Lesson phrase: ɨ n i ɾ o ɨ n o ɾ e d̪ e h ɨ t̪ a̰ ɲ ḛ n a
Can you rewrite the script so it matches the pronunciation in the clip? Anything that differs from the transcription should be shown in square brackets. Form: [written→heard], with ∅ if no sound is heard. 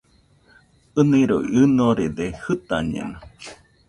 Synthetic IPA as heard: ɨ n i ɾ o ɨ n o ɾ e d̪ e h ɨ t̪ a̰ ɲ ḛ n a